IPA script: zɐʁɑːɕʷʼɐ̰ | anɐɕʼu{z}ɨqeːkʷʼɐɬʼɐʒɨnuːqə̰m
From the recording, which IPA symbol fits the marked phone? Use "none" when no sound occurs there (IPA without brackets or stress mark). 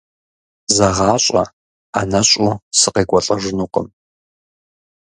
s